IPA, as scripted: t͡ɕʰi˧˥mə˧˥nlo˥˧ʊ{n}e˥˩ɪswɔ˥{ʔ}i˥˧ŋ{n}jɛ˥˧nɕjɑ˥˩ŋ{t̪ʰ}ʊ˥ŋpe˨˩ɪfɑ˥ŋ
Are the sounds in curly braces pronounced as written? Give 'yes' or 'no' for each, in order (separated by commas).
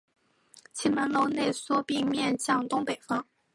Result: yes, no, no, no